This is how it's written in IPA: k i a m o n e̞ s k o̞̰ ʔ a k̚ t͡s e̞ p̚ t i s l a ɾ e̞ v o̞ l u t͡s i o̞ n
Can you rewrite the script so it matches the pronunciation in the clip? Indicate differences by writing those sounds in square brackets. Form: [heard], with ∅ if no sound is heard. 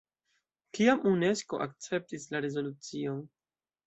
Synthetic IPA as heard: k i a m [u] n e̞ s k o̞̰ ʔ a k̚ t͡s e̞ p̚ t i s l a ɾ e̞ [z] o̞ l u t͡s i o̞ n